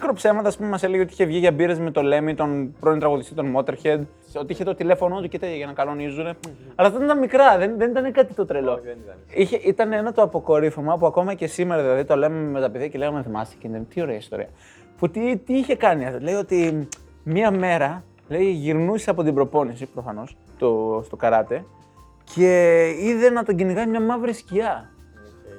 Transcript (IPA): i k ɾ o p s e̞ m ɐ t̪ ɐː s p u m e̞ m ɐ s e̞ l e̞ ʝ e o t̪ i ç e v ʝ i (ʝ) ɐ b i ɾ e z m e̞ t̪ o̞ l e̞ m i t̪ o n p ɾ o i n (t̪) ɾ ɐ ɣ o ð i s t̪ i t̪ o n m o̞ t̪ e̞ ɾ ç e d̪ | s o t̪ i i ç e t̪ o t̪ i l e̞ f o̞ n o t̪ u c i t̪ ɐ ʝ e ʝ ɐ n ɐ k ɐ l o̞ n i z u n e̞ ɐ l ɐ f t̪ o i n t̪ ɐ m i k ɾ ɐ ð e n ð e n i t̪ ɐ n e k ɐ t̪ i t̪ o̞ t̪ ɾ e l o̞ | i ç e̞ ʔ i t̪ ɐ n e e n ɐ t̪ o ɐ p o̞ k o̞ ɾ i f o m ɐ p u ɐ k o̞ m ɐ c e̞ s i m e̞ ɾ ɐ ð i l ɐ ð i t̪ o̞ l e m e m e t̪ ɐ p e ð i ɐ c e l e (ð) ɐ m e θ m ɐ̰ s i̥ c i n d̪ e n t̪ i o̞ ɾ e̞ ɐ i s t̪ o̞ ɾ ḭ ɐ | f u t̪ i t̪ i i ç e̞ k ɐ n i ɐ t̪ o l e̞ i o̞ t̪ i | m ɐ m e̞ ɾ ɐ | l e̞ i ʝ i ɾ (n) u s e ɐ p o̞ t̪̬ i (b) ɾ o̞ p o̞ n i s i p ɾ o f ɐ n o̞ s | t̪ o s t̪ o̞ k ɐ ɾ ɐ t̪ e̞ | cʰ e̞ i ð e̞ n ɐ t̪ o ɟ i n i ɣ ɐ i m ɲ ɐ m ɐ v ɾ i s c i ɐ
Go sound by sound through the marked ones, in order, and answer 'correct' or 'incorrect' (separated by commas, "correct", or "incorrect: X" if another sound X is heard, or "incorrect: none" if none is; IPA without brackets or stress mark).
correct, correct, incorrect: ɣ, correct, correct